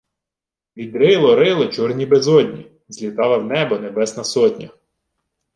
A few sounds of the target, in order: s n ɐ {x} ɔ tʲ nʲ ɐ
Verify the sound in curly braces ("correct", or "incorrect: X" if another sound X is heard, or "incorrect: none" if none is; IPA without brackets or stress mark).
incorrect: s